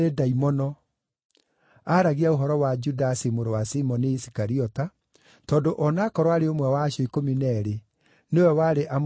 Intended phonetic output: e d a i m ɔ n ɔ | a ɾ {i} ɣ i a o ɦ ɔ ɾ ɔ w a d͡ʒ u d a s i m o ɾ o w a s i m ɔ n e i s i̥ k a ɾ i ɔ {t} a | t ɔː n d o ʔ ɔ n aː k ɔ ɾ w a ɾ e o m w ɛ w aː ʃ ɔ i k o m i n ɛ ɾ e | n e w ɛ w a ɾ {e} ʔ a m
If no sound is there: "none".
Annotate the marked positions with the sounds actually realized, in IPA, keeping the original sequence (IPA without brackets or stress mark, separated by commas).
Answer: a, t, e